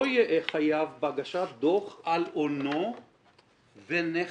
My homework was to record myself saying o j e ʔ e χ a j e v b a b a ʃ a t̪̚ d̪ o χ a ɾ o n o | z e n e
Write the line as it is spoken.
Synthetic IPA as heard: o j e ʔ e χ a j a v b a ɡ a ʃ a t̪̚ d̪ o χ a l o n o | v e n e